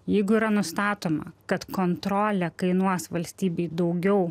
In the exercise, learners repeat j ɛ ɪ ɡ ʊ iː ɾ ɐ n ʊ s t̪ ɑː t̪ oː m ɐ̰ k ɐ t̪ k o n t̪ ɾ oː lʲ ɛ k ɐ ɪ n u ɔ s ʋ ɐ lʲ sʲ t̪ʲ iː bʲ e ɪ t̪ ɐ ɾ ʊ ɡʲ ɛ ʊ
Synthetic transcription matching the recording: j ɛ ɪ ɡ ʊ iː ɾ ɐ n ʊ s t̪ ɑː t̪ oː m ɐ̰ k ɐ t̪ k o n t̪ ɾ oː lʲ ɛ k ɐ ɪ n u ɔ s ʋ ɐ lʲ sʲ t̪ʲ iː bʲ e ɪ d̪ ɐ ʊ ɡʲ ɛ ʊ

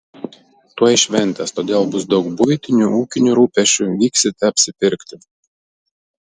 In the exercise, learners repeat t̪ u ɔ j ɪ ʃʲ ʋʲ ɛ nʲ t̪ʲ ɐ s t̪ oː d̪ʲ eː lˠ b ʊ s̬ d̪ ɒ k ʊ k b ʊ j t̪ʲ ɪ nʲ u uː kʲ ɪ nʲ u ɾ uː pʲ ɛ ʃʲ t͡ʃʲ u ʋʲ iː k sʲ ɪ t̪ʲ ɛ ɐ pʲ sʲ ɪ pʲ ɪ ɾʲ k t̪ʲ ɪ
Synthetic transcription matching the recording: t̪ u ɔ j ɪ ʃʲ ʋʲ ɛ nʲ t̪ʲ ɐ s t̪ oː d̪ʲ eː lˠ b ʊ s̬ d̪ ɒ ʊ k b ʊ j t̪ʲ ɪ nʲ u uː kʲ ɪ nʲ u ɾ uː pʲ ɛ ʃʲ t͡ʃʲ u ʋʲ iː k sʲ ɪ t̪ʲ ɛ ɐ pʲ sʲ ɪ pʲ ɪ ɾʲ k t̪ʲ ɪ

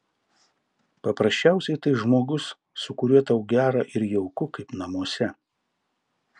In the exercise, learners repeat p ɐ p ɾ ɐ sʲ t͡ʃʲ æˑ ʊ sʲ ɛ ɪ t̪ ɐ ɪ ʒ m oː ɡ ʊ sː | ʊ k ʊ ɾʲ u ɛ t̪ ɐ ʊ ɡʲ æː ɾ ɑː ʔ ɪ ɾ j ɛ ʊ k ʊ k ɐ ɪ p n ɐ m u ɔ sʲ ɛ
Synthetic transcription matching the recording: p ɐ p ɾ ɐ sʲ t͡ʃʲ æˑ ʊ sʲ ɛ ɪ t̪ ɐ ɪ ʒ m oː ɡ ʊ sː | ʊ k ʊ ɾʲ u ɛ t̪ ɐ ʊ ɡʲ æː ɾ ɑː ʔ ɪ ɾ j ɛ ʊ k ʊ k ɐ ɪ p n ɐ m u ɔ sʲ ɛ

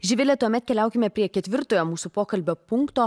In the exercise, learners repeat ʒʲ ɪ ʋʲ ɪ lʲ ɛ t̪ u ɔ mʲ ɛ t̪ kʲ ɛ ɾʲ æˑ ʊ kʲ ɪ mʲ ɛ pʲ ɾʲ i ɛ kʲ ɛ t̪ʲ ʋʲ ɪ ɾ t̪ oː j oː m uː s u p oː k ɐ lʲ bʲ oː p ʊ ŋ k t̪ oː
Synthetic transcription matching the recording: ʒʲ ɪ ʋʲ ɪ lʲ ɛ t̪ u ɔ mʲ ɛ t̪ kʲ ɛ lʲ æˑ ʊ kʲ ɪ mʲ ɛ pʲ ɾʲ i ɛ kʲ ɛ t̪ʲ ʋʲ ɪ ɾ t̪ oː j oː m uː s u p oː k ɐ lʲ bʲ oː p ʊ ŋ k t̪ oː

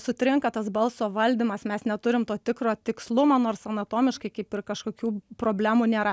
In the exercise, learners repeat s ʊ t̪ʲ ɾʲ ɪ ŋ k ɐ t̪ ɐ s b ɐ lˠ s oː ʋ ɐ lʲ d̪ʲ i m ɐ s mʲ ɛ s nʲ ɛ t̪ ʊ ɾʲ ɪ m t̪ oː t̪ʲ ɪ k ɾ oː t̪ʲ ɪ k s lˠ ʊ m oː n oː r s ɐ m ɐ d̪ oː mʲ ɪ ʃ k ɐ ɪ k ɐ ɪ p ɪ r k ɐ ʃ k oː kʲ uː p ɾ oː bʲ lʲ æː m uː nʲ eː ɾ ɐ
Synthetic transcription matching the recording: s ʊ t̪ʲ ɾʲ ɪ ŋ k ɐ t̪ ɐ s b ɐ lˠ s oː ʋ ɐ lʲ d̪ʲ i m ɐ s mʲ ɛ s nʲ ɛ t̪ ʊ ɾʲ ɪ m t̪ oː t̪ʲ ɪ k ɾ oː t̪ʲ ɪ k s lˠ ʊ m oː n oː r s ɐ n ɐ t̪ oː mʲ ɪ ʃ k ɐ ɪ k ɐ ɪ p ɪ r k ɐ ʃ k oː kʲ uː p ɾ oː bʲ lʲ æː m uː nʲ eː ɾ ɐ

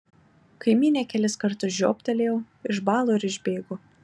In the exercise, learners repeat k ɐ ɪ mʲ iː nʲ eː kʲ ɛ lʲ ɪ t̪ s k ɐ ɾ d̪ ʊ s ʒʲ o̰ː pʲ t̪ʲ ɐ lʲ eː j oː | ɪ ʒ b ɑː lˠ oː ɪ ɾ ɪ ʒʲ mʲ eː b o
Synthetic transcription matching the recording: k ɐ ɪ mʲ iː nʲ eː kʲ ɛ lʲ ɪ s k ɐ ɾ t̪ ʊ s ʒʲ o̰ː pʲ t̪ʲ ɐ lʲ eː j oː | ɪ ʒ b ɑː lˠ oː ɪ ɾ ɪ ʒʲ bʲ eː ɡ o

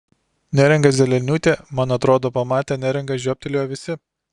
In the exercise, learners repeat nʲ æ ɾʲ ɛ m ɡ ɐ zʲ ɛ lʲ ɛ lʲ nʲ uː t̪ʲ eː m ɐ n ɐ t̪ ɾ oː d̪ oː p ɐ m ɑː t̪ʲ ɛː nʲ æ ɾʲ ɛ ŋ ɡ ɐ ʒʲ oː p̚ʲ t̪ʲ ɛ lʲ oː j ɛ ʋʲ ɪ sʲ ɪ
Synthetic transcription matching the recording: nʲ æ ɾʲ ɛ ŋ ɡ ɐ zʲ ɛ lʲ ɛ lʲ nʲ uː t̪ʲ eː m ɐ n ɐ t̪ ɾ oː d̪ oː p ɐ m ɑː t̪ʲ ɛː nʲ æ ɾʲ ɛ ŋ ɡ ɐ ʒʲ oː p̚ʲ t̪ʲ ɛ lʲ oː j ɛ ʋʲ ɪ sʲ ɪ

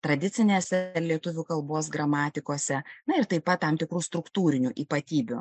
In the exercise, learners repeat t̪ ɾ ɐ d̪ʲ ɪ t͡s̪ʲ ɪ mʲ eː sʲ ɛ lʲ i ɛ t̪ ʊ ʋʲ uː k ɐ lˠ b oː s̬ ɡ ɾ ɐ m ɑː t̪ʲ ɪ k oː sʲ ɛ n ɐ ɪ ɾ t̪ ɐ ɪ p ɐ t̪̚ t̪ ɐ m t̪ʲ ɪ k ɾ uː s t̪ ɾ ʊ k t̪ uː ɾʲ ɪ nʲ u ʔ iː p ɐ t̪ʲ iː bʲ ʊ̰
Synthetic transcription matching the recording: t̪ ɾ ɐ d̪ʲ ɪ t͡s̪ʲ ɪ nʲ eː sʲ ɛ lʲ i ɛ t̪ ʊ ʋʲ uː k ɐ lˠ b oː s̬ ɡ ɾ ɐ m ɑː t̪ʲ ɪ k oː sʲ ɛ n ɐ ɪ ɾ t̪ ɐ ɪ p ɐ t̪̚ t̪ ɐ m t̪ʲ ɪ k ɾ uː s t̪ ɾ ʊ k t̪ uː ɾʲ ɪ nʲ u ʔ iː p ɐ t̪ʲ iː bʲ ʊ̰

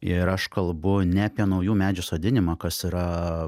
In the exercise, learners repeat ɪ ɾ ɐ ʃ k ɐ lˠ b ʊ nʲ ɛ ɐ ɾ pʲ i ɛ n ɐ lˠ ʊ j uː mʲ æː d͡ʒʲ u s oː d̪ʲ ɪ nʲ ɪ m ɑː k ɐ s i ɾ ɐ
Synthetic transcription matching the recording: ɪ ɾ ɐ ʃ k ɐ lˠ b ʊ nʲ ɛ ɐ pʲ i ɛ n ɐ ʊ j uː mʲ æː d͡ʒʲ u s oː d̪ʲ ɪ nʲ ɪ m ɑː k ɐ s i ɾ ɐ

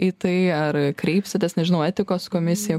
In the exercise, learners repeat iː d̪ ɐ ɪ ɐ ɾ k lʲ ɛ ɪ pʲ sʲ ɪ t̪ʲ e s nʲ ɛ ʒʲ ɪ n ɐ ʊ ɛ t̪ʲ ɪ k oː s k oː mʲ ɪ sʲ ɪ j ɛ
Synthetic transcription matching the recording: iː t̪ ɐ ɪ ɐ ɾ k ɾʲ ɛ ɪ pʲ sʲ ɪ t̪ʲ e s nʲ ɛ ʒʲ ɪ n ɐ ʊ ɛ t̪ʲ ɪ k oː s k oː mʲ ɪ sʲ ɪ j ɛ

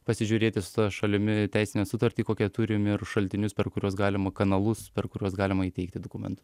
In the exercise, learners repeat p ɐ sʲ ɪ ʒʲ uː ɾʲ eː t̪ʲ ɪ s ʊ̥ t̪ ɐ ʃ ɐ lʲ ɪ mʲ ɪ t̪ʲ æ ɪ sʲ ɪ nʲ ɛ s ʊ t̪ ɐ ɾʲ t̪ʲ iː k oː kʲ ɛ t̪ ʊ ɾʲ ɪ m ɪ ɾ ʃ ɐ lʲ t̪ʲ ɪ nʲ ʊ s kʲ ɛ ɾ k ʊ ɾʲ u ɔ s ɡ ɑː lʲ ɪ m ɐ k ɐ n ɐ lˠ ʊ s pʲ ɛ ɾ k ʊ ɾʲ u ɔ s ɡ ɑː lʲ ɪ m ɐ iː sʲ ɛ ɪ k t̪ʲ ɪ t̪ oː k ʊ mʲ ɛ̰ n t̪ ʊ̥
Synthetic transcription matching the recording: p ɐ sʲ ɪ ʒʲ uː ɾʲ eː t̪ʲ ɪ s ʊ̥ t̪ ɐ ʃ ɐ lʲ ɪ mʲ ɪ t̪ʲ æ ɪ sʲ ɪ nʲ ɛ s ʊ t̪ ɐ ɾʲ t̪ʲ iː k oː kʲ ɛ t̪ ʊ ɾʲ ɪ m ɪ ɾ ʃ ɐ lʲ t̪ʲ ɪ nʲ ʊ s pʲ ɛ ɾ k ʊ ɾʲ u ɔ s ɡ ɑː lʲ ɪ m ɐ k ɐ n ɐ lˠ ʊ s pʲ ɛ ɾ k ʊ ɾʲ u ɔ s ɡ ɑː lʲ ɪ m ɐ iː tʲ ɛ ɪ k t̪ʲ ɪ d̪ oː k ʊ mʲ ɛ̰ n t̪ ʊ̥

